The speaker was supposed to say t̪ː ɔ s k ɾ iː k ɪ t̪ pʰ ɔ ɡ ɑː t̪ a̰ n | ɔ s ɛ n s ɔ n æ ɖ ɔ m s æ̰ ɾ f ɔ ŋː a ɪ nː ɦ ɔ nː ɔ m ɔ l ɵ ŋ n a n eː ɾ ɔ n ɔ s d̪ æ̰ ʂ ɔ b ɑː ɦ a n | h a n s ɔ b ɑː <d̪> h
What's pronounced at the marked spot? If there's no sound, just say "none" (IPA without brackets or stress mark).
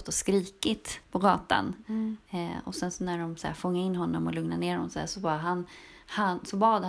d̪